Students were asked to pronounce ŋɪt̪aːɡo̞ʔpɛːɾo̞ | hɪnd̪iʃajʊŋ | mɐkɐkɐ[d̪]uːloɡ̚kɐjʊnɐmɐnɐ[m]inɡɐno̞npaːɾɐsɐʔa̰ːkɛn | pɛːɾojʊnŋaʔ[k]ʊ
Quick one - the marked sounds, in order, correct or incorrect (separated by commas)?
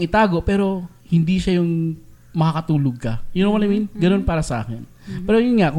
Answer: incorrect, correct, correct